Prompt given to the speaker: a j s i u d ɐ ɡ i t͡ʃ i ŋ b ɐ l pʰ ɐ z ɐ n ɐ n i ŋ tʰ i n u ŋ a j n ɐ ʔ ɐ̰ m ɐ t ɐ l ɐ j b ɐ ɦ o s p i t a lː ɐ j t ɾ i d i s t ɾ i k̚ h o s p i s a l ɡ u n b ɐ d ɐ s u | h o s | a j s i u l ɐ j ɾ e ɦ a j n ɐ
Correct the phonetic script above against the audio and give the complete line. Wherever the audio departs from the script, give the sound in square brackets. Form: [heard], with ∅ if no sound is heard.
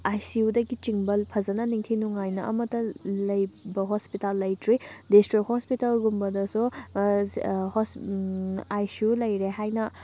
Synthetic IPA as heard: a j s i u d ɐ ɡ i t͡ʃ i ŋ b ɐ l pʰ ɐ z ɐ n ɐ n i ŋ tʰ i n u ŋ a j n ɐ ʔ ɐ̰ m ɐ t ɐ l ɐ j b ɐ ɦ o s p i t a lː ɐ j t ɾ i d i s t ɾ i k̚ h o s p i [t] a l ɡ u [m] b ɐ d ɐ s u | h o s | a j s i u l ɐ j ɾ e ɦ a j n ɐ